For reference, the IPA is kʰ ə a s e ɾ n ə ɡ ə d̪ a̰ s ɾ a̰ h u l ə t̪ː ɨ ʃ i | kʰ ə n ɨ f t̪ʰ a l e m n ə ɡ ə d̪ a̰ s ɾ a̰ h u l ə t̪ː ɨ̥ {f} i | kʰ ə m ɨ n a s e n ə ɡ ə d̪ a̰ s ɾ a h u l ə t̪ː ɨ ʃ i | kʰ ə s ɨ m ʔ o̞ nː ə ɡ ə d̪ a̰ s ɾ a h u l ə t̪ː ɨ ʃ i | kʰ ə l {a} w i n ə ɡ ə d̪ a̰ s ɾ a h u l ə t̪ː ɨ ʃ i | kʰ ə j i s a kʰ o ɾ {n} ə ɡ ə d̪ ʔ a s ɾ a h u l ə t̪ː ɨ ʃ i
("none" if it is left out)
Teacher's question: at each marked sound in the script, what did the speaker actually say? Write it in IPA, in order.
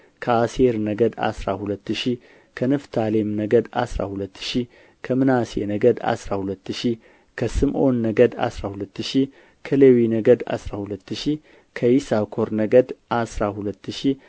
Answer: ʃ, e, n

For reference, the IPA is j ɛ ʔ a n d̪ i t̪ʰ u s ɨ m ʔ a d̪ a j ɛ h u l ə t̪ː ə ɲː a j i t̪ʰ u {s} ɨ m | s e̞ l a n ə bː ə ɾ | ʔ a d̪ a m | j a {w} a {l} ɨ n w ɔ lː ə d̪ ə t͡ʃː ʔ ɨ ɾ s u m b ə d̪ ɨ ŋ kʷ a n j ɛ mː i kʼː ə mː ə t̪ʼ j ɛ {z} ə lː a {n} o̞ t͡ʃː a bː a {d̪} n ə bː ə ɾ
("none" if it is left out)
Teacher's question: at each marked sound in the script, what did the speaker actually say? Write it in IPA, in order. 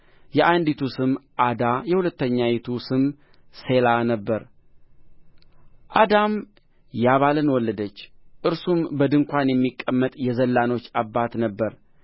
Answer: s, β, l, z, n, t̪

